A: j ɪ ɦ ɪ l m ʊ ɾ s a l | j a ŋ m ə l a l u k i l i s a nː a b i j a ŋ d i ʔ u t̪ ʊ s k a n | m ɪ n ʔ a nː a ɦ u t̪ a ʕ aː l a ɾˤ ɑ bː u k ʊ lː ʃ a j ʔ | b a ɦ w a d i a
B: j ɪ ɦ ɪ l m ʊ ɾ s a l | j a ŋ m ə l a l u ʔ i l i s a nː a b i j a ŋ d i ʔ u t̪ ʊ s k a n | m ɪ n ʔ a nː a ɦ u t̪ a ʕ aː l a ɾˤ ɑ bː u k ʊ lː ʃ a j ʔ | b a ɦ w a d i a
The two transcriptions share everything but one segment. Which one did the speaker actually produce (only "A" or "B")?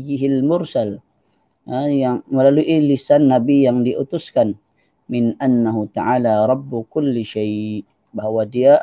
B